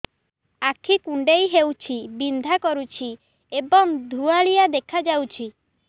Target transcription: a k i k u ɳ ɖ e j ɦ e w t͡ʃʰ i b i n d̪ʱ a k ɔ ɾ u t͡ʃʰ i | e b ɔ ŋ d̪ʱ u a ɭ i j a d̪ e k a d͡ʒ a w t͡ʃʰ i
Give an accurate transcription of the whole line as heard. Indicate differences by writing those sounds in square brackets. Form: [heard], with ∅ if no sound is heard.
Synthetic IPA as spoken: a [kʰ] i k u ɳ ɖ e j ɦ e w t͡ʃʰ i b i n d̪ʱ a k ɔ ɾ u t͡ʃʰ i | e b ɔ ŋ d̪ʱ u a ɭ i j a d̪ e [kʰ] a d͡ʒ a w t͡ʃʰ i